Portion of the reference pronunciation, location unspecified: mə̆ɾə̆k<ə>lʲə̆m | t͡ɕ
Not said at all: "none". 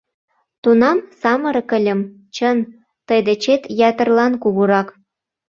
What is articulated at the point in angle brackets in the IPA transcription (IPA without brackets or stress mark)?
ə